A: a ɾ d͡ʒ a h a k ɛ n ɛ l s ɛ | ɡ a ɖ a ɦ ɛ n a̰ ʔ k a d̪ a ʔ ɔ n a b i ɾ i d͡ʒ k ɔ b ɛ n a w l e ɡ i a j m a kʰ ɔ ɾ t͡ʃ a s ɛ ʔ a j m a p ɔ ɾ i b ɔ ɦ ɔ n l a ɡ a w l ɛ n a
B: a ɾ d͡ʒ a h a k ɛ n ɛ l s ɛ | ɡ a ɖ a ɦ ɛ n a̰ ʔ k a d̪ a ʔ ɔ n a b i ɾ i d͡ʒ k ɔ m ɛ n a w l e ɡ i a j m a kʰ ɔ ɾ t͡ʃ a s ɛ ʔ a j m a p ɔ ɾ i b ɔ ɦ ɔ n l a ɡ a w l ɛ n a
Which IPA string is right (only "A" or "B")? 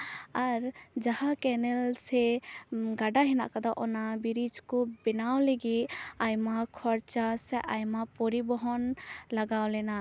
A